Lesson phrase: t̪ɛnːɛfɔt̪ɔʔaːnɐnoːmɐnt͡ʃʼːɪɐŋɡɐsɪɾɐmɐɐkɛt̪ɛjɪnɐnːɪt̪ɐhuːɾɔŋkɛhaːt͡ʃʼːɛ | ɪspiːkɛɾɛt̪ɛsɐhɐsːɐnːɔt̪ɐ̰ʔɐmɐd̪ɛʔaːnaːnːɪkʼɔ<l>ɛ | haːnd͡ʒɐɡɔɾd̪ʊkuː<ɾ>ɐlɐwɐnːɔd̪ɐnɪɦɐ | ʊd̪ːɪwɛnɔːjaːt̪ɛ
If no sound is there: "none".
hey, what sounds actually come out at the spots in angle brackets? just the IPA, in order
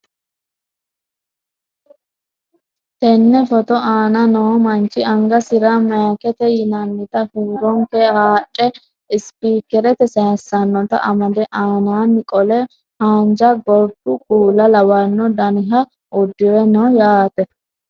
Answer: l, l

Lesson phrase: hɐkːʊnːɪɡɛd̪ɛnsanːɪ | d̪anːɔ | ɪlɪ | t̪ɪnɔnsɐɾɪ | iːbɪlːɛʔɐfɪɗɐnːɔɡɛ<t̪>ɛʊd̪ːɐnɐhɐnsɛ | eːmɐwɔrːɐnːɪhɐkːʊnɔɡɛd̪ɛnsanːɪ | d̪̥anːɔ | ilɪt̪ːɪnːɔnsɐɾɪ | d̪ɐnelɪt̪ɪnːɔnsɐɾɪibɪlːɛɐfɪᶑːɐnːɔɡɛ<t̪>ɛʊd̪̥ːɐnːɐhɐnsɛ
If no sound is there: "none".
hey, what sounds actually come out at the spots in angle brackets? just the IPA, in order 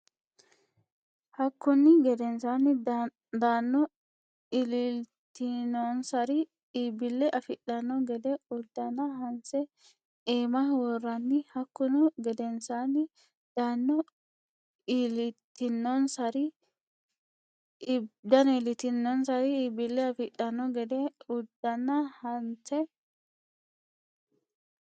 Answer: d̪, d̪

